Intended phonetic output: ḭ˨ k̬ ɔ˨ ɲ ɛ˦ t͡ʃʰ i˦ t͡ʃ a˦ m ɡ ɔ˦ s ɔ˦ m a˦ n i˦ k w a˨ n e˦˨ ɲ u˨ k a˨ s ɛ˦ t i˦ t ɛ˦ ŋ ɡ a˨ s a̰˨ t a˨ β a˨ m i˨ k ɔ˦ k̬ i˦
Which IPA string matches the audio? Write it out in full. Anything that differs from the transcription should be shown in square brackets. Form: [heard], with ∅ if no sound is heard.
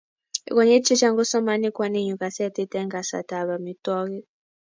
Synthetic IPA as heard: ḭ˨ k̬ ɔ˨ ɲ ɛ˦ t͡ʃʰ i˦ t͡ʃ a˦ [ŋ] ɡ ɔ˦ s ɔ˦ m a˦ n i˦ k w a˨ n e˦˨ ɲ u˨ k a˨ s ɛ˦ t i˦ t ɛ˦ ŋ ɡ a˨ s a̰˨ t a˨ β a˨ m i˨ [t] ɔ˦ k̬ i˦